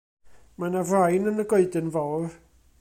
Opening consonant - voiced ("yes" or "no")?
yes